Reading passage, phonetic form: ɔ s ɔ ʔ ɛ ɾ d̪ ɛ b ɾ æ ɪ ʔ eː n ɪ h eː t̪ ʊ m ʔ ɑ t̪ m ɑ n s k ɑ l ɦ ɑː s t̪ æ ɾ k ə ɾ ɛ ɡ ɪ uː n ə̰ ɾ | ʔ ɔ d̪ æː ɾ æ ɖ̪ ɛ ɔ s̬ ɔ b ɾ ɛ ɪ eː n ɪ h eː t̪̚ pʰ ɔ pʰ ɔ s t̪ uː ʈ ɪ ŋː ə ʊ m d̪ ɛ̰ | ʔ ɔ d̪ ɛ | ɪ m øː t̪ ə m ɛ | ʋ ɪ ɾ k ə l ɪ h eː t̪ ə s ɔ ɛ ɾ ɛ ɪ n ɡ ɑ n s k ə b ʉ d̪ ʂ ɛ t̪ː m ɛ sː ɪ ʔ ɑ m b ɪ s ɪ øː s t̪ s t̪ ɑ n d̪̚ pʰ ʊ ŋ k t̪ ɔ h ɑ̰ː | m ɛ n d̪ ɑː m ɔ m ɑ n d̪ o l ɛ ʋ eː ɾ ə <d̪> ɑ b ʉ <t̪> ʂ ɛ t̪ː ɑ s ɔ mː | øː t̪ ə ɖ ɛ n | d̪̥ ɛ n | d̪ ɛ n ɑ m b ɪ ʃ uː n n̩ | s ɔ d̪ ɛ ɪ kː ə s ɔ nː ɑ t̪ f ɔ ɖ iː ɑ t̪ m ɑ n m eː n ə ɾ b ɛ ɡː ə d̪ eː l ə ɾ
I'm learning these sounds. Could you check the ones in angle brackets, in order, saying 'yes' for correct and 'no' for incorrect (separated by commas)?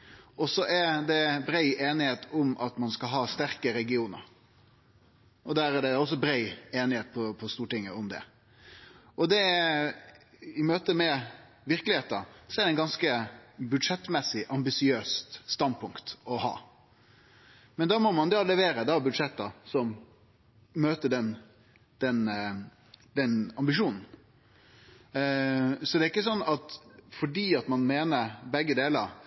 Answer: yes, no